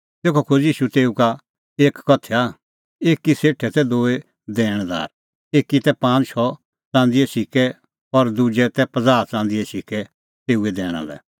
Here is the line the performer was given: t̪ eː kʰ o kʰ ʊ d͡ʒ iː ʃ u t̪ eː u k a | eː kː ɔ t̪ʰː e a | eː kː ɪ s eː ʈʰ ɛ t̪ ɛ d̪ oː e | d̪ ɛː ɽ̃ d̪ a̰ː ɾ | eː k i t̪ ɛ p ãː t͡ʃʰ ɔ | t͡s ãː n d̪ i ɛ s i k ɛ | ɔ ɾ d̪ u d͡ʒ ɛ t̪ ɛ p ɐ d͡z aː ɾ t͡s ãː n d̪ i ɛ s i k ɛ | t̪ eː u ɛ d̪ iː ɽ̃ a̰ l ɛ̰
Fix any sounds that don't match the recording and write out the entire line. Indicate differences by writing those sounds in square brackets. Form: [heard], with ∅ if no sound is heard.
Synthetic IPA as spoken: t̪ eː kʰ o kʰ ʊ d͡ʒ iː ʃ u t̪ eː u k a | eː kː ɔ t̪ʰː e a | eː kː [i] s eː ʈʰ ɛ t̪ ɛ d̪ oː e | d̪ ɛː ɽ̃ d̪ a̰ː ɾ | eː k i t̪ ɛ p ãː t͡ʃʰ ɔ | t͡s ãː n d̪ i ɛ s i k ɛ | ɔ ɾ d̪ u d͡ʒ ɛ t̪ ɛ p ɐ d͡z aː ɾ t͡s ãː n d̪ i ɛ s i k ɛ | t̪ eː u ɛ d̪ [ɛː] ɽ̃ a̰ l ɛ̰